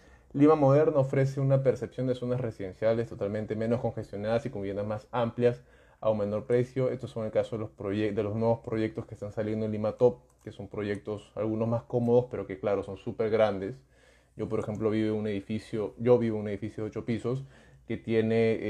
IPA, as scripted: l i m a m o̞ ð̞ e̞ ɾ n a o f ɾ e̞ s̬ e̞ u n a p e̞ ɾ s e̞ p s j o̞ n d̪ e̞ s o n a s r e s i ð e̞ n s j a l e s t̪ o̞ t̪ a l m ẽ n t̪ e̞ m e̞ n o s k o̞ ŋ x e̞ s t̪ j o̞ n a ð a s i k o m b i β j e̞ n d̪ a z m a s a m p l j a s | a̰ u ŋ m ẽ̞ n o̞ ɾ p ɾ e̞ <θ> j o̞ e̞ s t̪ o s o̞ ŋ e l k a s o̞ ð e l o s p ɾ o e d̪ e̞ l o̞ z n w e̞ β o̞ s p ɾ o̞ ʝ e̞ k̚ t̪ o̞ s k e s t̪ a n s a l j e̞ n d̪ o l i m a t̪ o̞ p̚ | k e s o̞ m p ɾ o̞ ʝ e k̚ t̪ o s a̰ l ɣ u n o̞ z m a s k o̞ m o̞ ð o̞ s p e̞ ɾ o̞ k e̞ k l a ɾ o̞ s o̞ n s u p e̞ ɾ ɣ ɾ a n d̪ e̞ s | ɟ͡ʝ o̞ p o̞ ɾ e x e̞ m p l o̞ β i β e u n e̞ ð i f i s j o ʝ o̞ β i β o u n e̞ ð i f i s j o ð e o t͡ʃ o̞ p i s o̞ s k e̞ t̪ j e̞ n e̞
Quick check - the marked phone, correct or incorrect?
incorrect